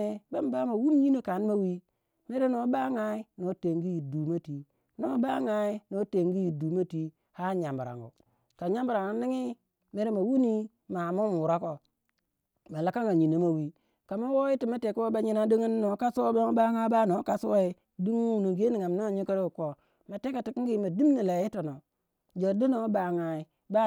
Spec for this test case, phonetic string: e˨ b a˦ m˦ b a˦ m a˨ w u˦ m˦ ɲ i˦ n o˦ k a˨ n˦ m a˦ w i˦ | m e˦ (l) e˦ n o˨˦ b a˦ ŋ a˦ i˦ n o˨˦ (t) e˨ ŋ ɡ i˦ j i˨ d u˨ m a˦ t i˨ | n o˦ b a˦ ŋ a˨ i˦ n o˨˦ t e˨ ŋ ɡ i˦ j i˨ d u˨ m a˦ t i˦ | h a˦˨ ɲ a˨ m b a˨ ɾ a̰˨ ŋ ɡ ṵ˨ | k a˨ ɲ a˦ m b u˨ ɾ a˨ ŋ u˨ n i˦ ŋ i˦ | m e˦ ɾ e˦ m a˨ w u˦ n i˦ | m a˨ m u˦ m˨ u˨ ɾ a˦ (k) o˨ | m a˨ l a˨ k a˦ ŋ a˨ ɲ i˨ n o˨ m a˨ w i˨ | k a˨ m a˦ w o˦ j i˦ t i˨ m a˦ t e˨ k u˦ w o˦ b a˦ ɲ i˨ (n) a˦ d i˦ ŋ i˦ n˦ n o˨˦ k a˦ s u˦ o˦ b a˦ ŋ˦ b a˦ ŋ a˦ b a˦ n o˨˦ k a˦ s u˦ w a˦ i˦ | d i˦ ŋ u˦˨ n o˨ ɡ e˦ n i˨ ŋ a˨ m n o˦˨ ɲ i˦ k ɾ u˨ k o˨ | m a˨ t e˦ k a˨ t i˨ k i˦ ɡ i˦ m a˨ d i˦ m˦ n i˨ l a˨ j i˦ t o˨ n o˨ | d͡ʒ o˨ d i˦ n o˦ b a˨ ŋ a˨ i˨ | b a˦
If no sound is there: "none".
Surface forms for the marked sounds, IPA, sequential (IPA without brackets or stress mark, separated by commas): ɾ, t, k, n